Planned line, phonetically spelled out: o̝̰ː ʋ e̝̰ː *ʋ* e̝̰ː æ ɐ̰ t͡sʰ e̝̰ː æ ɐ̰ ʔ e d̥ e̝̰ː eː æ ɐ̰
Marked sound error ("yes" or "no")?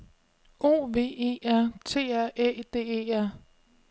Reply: yes